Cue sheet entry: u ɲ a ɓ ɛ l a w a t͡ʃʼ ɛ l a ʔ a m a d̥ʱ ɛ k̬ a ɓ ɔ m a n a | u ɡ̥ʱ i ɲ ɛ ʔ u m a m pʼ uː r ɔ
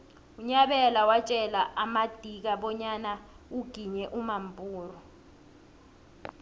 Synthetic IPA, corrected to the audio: u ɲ a ɓ ɛ l a w a t͡ʃʼ ɛ l a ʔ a m a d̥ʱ i k̬ a ɓ ɔ ɲ a n a | u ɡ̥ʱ i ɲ ɛ ʔ u m a m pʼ uː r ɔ